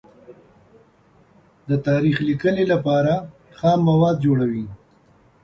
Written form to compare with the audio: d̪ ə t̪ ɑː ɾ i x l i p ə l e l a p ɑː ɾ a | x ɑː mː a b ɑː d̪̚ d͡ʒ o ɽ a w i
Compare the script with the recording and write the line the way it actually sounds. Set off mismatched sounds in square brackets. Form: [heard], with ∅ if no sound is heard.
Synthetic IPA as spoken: d̪ ə t̪ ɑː ɾ i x l i [k] ə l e l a p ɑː ɾ a | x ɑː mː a [w] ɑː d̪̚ d͡ʒ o ɽ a w i